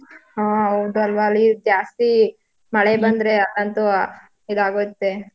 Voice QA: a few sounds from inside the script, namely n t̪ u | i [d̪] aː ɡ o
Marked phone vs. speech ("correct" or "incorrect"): correct